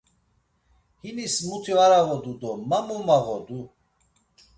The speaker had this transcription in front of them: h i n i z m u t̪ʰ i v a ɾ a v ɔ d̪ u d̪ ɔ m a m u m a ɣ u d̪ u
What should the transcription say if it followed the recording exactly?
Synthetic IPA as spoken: h i n i s m u t̪ʰ i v a ɾ a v ɔ d̪ u d̪ ɔ m a m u m a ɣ ɔ d̪ u